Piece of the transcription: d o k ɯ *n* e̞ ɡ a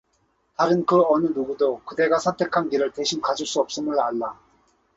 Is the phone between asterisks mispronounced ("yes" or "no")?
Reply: yes